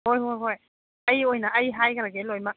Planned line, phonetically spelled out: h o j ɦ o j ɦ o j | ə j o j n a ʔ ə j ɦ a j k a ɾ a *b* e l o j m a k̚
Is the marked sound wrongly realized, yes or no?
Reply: yes